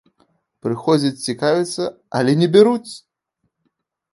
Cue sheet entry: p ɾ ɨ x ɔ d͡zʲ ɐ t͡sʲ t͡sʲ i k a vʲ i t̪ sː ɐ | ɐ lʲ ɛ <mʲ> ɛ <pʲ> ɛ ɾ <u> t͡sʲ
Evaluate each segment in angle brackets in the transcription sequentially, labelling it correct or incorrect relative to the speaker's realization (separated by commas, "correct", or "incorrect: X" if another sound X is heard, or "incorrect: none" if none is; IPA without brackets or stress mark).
incorrect: nʲ, incorrect: bʲ, correct